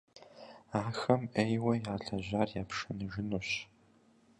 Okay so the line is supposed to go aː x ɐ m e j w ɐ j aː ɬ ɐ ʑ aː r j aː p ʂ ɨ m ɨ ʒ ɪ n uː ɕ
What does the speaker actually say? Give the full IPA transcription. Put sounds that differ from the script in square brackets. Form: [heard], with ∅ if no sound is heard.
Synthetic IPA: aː x ɐ m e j w ɐ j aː ɬ ɐ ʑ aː r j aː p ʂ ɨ [n] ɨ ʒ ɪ n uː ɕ